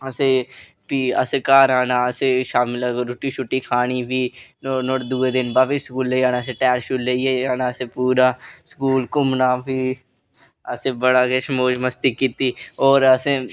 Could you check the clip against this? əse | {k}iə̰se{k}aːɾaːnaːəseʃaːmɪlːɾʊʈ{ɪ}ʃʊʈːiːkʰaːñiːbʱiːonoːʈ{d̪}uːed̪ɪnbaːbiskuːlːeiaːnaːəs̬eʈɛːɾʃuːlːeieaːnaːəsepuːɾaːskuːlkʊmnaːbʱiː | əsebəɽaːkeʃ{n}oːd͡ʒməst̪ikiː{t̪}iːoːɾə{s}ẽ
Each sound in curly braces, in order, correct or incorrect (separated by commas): incorrect, correct, incorrect, correct, incorrect, correct, correct